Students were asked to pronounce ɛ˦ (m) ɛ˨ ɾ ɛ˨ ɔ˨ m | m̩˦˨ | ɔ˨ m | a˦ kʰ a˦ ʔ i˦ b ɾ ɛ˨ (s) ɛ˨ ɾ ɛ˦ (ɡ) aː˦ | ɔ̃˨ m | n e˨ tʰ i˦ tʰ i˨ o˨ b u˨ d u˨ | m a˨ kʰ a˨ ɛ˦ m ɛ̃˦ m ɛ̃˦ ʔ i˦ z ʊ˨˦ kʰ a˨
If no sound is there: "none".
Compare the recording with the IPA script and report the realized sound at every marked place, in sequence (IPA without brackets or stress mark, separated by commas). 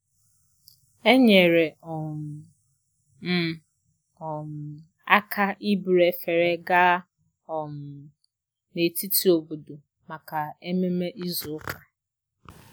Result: ɲ, f, ɡ